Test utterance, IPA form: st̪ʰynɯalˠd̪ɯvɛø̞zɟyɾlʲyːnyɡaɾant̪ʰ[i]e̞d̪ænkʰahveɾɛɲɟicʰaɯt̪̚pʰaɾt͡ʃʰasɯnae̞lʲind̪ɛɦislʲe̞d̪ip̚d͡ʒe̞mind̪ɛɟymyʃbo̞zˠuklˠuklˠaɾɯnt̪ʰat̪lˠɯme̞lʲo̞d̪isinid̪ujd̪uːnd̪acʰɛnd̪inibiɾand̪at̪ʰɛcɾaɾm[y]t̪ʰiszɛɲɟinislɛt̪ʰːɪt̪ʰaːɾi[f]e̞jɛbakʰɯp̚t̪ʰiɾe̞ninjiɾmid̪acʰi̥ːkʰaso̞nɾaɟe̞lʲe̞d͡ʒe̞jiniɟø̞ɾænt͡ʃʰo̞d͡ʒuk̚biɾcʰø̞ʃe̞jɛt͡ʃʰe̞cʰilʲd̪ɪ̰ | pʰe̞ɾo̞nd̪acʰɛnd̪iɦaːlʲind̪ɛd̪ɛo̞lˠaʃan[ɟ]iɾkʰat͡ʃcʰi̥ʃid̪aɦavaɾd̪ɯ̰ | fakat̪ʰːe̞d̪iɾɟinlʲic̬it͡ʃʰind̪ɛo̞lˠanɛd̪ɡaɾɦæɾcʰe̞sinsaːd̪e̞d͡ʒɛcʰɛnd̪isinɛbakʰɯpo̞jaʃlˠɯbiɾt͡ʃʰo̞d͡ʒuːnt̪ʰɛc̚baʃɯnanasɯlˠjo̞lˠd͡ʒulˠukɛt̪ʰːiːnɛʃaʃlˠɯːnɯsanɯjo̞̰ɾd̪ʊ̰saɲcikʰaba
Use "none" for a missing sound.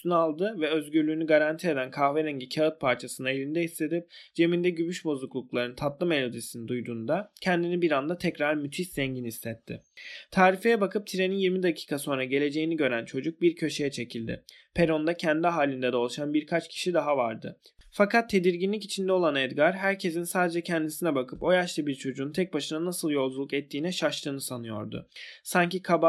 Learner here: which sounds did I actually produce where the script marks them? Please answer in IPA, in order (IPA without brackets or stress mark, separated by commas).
i, y, f, b